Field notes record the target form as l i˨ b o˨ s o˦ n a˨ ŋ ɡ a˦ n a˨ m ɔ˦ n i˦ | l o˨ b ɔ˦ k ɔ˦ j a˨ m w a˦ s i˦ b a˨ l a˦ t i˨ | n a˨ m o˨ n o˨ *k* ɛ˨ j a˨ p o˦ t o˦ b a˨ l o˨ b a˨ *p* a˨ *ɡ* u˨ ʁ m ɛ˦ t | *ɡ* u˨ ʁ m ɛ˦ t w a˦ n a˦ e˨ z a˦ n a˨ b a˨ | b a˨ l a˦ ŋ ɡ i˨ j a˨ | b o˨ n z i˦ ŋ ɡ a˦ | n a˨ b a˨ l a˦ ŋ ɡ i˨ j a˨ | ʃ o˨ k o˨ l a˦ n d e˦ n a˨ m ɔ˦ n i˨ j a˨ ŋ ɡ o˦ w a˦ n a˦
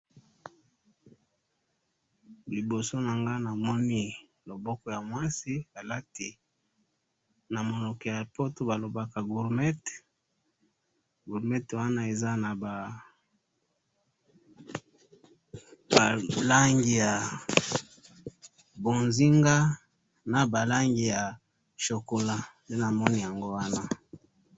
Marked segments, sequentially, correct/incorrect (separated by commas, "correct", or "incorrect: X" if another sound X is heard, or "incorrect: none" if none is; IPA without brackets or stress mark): correct, incorrect: k, correct, correct